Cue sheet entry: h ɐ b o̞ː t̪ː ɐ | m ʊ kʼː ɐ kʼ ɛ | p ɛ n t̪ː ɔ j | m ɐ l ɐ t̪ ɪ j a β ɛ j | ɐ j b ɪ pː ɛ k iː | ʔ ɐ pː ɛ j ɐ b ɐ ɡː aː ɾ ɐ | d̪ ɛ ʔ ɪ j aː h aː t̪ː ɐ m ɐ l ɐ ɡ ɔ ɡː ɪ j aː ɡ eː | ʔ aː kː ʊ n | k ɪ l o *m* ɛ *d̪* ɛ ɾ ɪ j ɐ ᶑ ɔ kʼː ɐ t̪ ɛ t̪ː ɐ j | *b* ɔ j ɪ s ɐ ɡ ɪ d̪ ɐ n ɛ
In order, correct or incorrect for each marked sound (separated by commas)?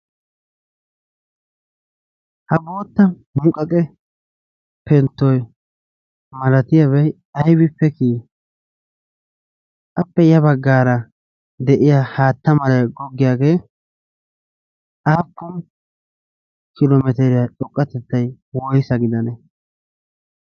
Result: correct, incorrect, incorrect